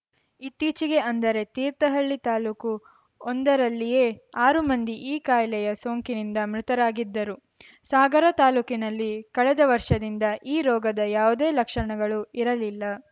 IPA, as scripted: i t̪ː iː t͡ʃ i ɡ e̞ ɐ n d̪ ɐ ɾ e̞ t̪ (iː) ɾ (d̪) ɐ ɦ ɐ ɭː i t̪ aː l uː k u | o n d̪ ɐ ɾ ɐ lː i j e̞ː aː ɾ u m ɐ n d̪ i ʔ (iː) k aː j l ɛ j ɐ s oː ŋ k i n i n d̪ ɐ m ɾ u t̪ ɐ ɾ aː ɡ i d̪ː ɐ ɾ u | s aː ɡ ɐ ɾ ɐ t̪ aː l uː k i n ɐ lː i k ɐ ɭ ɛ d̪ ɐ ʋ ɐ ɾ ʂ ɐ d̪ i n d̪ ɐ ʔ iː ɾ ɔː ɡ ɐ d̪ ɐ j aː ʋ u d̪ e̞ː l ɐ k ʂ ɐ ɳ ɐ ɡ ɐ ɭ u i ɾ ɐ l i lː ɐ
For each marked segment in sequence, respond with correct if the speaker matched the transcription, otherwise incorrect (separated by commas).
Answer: correct, incorrect, correct